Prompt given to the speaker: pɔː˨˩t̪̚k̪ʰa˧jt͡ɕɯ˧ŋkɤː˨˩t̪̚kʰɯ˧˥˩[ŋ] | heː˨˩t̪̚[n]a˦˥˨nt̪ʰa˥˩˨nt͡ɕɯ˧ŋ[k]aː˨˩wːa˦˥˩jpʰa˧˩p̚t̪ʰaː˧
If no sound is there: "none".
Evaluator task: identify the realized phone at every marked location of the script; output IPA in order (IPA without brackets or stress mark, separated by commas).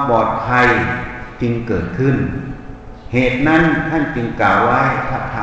n, n, k